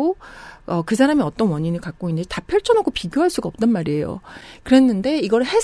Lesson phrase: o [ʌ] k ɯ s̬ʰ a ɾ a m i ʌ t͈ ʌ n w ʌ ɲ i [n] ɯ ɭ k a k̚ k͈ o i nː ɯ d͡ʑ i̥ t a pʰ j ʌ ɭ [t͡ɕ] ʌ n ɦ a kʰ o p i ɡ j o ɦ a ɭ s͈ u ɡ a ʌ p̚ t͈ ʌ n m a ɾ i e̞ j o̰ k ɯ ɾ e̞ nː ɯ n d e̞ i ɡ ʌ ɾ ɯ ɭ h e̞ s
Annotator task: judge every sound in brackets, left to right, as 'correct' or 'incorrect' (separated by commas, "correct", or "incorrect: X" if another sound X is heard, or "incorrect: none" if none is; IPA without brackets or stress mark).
correct, correct, incorrect: t͡ɕʰ